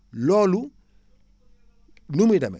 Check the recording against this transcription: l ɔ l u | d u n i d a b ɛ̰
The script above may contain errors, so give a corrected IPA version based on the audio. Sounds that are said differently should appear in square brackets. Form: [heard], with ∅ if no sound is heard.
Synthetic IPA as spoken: l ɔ l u | [n] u [m] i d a [m] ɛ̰